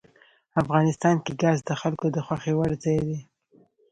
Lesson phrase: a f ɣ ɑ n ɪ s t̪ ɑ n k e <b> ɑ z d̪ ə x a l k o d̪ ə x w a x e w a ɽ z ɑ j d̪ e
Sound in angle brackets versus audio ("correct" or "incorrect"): incorrect